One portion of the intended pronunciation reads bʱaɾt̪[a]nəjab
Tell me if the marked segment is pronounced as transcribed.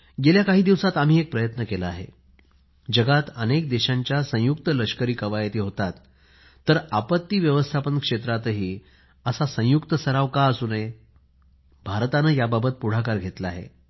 yes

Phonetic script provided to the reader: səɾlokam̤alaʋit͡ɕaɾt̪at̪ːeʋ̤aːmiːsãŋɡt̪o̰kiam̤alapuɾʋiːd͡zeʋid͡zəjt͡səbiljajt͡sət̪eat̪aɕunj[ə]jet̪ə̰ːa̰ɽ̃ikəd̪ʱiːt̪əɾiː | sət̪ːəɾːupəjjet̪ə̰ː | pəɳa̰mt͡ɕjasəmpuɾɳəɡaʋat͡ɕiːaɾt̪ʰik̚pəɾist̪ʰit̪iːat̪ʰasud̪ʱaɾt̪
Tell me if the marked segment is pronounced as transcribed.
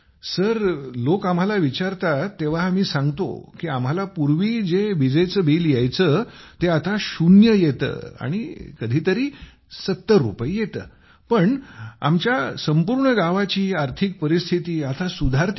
yes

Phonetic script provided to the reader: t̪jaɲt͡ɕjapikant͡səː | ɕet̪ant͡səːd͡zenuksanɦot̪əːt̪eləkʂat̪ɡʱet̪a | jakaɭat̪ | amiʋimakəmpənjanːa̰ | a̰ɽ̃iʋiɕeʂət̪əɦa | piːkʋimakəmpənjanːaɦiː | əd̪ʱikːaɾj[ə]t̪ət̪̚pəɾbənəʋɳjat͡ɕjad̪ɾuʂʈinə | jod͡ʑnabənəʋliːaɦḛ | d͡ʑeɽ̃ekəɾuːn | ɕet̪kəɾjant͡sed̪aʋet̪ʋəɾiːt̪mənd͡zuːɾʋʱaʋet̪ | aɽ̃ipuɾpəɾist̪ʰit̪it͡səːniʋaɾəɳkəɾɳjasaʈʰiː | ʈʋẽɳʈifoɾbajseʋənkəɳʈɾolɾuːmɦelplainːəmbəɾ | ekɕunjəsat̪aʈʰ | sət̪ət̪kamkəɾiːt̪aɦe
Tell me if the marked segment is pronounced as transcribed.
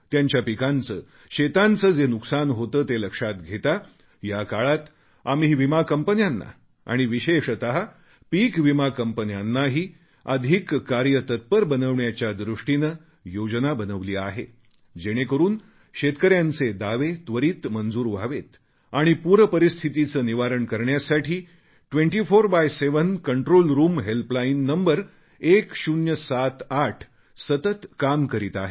yes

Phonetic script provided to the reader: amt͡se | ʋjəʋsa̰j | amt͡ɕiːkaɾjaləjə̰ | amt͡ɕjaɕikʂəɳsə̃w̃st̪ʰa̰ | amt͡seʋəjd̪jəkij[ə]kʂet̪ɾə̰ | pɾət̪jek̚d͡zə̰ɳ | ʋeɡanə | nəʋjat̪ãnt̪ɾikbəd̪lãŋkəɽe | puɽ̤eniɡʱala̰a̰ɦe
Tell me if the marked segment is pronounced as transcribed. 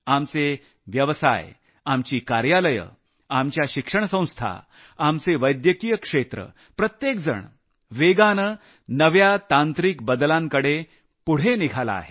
yes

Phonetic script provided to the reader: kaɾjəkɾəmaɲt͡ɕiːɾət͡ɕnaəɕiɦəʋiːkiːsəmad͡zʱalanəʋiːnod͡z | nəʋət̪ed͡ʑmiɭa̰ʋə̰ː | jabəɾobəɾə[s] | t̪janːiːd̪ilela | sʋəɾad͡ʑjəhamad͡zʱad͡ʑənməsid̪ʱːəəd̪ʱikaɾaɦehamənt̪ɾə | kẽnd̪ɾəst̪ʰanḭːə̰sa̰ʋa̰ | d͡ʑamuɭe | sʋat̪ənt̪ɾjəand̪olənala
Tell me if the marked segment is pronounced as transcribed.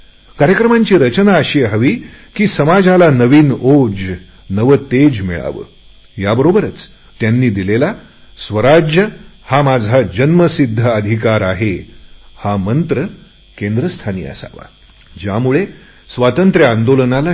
no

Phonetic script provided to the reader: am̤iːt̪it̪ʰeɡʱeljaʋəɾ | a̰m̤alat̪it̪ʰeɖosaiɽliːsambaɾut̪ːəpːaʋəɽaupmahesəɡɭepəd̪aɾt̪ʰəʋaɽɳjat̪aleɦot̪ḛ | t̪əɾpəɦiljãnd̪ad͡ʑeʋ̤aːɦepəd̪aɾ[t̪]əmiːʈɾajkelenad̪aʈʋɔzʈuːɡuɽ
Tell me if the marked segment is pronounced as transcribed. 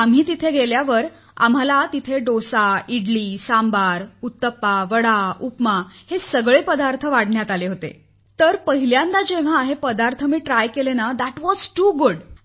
no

